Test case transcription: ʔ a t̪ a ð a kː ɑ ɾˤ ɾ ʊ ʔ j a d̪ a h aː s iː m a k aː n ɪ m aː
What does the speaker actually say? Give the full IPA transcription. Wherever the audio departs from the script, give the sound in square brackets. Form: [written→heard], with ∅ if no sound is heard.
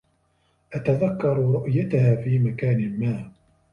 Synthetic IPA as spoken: ʔ a t̪ a ð a kː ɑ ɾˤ ɾ ʊ ʔ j a [d̪→t̪] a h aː [s→f] iː m a k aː n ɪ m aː